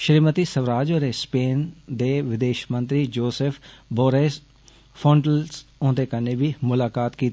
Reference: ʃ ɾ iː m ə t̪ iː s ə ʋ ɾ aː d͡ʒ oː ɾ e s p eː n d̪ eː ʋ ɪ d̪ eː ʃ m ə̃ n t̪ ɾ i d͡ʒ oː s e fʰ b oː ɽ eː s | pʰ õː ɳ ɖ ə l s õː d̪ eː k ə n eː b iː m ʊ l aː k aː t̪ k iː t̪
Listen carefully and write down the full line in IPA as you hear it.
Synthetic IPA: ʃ ɾ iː m ə t̪ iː s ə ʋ ɾ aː d͡ʒ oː ɾ e s p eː n d̪ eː ʋ ɪ d̪ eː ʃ m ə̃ n t̪ ɾ i d͡ʒ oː s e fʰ b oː ɾ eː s | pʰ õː ɳ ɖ ə l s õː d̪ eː k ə n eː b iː m ʊ l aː k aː t̪ k iː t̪